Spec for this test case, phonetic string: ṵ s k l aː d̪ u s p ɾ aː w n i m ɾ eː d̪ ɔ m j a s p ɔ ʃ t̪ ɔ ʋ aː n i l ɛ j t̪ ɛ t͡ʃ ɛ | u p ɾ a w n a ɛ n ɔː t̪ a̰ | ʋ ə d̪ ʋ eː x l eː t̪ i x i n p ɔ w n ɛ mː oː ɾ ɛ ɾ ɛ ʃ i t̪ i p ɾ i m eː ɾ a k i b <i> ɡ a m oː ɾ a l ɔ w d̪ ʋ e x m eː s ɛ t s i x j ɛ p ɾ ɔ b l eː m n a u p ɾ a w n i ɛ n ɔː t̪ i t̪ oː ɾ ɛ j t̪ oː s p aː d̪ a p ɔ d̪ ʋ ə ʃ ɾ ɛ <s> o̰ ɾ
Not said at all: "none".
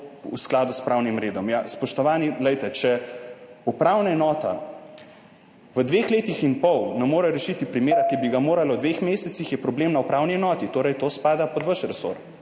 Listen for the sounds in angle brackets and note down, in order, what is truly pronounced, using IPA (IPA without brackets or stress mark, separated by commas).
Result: i, s